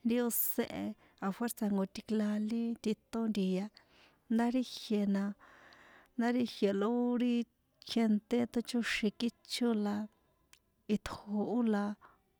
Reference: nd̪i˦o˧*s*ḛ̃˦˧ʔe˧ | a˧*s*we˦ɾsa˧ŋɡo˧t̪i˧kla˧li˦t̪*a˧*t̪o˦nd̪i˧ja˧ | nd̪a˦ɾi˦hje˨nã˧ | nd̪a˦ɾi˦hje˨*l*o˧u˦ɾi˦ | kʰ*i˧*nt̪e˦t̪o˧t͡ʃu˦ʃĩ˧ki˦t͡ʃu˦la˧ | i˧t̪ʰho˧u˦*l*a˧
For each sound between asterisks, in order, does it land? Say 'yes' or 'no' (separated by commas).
yes, no, no, yes, no, yes